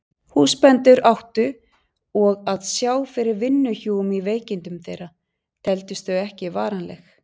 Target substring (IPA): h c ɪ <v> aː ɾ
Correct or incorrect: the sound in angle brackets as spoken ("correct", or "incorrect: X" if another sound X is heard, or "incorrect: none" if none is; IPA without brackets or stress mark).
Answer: correct